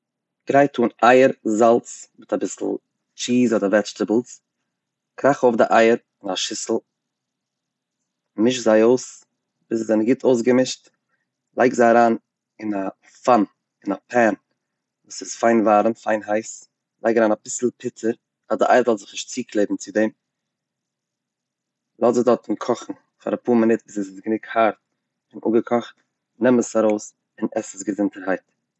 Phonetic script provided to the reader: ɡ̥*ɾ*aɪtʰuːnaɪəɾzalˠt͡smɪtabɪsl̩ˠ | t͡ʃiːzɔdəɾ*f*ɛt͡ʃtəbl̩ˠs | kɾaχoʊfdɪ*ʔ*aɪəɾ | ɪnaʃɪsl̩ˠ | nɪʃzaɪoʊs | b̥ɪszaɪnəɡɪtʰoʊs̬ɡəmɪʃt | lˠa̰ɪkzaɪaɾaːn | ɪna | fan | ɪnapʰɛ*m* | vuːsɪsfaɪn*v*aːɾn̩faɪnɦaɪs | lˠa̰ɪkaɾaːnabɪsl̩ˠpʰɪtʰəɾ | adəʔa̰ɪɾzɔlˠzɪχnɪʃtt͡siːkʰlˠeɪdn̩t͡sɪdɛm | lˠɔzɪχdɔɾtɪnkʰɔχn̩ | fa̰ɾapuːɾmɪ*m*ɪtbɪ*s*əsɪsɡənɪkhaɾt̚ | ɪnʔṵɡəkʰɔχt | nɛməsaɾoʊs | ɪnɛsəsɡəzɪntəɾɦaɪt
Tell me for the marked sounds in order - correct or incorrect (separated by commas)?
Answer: correct, incorrect, correct, incorrect, correct, incorrect, correct